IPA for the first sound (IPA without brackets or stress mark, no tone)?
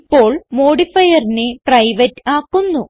pː